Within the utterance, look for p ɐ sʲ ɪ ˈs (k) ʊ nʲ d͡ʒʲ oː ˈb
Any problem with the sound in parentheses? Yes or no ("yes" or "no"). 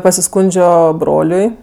no